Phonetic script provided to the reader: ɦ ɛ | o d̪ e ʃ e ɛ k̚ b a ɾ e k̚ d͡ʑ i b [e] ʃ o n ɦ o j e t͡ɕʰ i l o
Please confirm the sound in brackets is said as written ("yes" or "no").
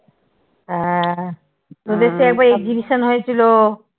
no